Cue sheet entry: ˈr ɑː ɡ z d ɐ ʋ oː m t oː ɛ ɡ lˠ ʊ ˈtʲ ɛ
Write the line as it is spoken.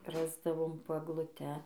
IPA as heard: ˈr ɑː z d ɐ ʋ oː m p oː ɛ ɡ lˠ ʊ ˈtʲ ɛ